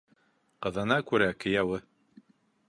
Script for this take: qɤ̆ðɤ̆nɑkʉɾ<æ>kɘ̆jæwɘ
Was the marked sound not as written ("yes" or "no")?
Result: no